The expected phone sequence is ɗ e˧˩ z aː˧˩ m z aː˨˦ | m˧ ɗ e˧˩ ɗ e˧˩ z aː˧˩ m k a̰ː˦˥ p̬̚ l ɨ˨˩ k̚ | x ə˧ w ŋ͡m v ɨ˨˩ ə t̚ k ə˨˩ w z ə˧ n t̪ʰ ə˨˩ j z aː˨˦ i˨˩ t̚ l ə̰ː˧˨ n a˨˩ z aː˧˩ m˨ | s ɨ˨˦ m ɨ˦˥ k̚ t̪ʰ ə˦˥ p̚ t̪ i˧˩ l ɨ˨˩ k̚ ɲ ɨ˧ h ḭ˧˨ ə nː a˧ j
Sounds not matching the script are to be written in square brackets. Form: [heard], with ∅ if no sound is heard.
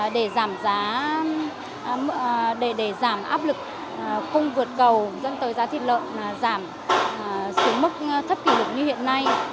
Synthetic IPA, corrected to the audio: ɗ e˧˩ z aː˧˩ m z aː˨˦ | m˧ ɗ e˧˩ ɗ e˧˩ z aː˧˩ m [ʔ] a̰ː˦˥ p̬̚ l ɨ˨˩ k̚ | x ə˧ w ŋ͡m v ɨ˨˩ ə t̚ k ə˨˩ w z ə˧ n [t̪] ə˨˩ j z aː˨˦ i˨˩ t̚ l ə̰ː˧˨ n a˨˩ z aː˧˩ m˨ | s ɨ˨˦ m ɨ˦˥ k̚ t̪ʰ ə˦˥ p̚ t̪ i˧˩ l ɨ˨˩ k̚ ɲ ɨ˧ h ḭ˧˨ ə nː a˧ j